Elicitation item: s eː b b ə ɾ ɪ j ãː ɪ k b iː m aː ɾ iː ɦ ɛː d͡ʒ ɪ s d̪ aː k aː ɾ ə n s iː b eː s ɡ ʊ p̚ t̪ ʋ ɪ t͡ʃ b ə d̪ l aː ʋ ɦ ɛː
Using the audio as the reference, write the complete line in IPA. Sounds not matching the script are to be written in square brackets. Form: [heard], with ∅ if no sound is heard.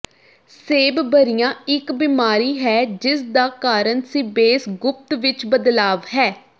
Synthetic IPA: s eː b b ə ɾ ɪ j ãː ɪ k b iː m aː ɾ iː ɦ ɛː d͡ʒ ɪ s d̪ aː k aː ɾ ə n s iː b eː s ɡ ʊ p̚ t̪ ʋ ɪ t͡ʃ b ə d̪ l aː ʋ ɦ ɛː